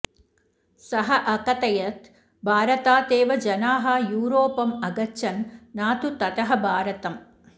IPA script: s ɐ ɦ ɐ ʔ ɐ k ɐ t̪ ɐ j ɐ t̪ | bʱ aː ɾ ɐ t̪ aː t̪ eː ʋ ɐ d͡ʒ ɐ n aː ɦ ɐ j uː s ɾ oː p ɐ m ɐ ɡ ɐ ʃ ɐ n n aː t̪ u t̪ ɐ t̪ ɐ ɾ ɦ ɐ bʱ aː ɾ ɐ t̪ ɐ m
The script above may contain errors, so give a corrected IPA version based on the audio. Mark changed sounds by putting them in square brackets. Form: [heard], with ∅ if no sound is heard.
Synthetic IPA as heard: s ɐ ɦ ɐ ʔ ɐ k ɐ t̪ ɐ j ɐ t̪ | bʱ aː ɾ ɐ t̪ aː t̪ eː ʋ ɐ d͡ʒ ɐ n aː ɦ ɐ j uː [∅] ɾ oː p ɐ m ɐ ɡ ɐ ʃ ɐ n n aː t̪ u t̪ ɐ t̪ ɐ [∅] ɦ ɐ bʱ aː ɾ ɐ t̪ ɐ m

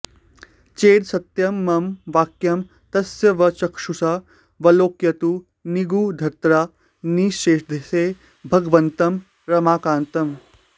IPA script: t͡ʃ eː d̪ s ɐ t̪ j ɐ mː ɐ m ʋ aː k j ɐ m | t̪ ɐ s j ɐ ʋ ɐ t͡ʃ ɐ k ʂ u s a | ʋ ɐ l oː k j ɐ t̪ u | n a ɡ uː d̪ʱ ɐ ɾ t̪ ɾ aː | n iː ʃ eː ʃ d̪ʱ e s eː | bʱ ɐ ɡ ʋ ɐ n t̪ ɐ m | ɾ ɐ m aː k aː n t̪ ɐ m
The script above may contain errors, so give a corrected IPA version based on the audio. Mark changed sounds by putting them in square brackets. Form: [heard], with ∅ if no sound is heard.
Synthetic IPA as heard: t͡ʃ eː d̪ s ɐ t̪ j ɐ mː ɐ m ʋ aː k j ɐ m | t̪ ɐ s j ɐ ʋ ɐ t͡ʃ ɐ k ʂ u s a | ʋ ɐ l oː k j ɐ t̪ u | n [i] ɡ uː d̪ʱ ɐ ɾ t̪ ɾ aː | n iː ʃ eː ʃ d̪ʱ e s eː | bʱ ɐ ɡ ʋ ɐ n t̪ ɐ m | ɾ ɐ m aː k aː n t̪ ɐ m

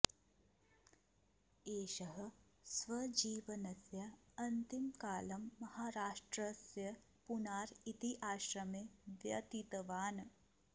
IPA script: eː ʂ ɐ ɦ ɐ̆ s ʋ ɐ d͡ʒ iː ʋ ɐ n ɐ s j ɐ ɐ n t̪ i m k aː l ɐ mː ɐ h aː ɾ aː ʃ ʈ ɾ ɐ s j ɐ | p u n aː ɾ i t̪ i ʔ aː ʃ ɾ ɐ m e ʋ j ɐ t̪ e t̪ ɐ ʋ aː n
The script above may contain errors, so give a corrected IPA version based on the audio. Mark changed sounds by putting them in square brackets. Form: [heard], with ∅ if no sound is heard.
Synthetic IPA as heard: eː [ʃ] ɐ ɦ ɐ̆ s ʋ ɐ d͡ʒ iː ʋ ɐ n ɐ s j ɐ ɐ n t̪ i m k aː l ɐ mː ɐ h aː ɾ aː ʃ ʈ ɾ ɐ s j ɐ | p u n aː ɾ i t̪ i ʔ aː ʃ ɾ ɐ m e ʋ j ɐ t̪ [i] t̪ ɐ ʋ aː n

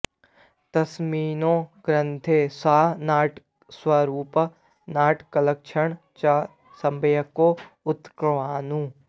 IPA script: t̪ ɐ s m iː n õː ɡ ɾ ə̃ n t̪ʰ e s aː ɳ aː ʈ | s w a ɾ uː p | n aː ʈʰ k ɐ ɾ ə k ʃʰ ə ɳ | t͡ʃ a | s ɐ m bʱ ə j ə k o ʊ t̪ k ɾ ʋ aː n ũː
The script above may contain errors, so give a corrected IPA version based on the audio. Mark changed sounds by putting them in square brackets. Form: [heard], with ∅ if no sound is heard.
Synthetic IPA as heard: t̪ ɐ s m iː n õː ɡ ɾ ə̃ n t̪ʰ e s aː [n] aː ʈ | s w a ɾ uː p | n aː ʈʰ k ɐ [l] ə k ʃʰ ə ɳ | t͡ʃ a | s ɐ m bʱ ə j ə k o ʊ t̪ k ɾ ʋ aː n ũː

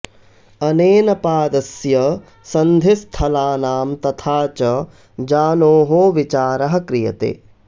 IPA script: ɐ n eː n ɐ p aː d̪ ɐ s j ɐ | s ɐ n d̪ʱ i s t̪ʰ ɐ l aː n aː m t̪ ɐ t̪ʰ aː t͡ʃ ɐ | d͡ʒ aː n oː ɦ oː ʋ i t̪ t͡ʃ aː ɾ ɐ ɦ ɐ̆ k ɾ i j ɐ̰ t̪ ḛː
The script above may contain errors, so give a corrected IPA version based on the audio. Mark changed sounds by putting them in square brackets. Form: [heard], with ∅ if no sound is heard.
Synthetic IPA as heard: ɐ n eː n ɐ p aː d̪ ɐ s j ɐ | s ɐ n d̪ʱ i s t̪ʰ ɐ l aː n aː m t̪ ɐ t̪ʰ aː t͡ʃ ɐ | d͡ʒ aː n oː ɦ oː ʋ i [∅] t͡ʃ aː ɾ ɐ ɦ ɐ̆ k ɾ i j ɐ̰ t̪ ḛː

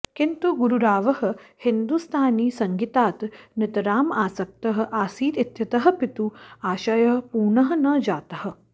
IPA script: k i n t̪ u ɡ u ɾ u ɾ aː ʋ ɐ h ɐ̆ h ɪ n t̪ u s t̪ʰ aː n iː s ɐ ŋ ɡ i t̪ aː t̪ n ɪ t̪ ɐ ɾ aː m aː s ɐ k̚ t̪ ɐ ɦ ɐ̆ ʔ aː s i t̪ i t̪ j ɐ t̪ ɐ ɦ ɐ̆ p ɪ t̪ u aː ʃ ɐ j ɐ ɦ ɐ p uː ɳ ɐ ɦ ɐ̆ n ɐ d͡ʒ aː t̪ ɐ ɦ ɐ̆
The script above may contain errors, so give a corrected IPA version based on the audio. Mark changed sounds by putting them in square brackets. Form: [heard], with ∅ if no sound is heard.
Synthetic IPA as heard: k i n t̪ u ɡ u ɾ u ɾ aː ʋ ɐ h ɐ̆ h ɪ n [d̪] u s t̪ʰ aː n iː s ɐ ŋ ɡ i t̪ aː t̪ n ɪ t̪ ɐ ɾ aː m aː s ɐ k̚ t̪ ɐ ɦ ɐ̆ ʔ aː s [iː] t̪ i t̪ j ɐ t̪ ɐ ɦ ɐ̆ p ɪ t̪ u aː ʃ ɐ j ɐ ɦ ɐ p uː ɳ ɐ ɦ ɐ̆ n ɐ d͡ʒ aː t̪ ɐ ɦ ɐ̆

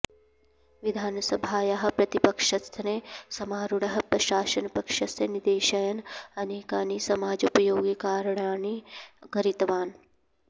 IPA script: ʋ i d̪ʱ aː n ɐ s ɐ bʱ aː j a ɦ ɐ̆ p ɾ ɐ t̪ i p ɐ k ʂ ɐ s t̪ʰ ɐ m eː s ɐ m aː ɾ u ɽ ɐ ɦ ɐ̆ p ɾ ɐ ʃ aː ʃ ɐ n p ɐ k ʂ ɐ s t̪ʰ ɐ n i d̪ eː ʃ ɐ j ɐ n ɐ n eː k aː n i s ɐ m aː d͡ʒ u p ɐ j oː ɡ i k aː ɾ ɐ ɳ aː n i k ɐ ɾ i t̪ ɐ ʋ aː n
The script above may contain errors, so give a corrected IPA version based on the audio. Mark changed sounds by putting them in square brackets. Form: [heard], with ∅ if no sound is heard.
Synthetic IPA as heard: ʋ i d̪ʱ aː n ɐ s ɐ bʱ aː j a ɦ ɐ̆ p ɾ ɐ t̪ i p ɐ k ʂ ɐ s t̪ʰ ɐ [n] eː s ɐ m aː ɾ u ɽ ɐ ɦ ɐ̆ p ɾ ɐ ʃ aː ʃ ɐ n p ɐ k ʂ ɐ s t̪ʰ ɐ n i d̪ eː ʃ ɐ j ɐ n ɐ n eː k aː n i s ɐ m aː d͡ʒ u p ɐ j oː ɡ i k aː ɾ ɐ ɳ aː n i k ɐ ɾ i t̪ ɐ ʋ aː n

